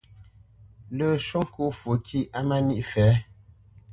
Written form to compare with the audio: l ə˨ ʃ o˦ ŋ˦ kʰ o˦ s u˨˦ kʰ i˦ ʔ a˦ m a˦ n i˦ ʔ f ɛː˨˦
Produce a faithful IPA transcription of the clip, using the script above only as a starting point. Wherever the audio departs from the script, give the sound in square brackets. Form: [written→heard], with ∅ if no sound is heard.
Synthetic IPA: l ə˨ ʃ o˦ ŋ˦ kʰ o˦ [s→f] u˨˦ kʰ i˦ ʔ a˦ m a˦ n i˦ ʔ f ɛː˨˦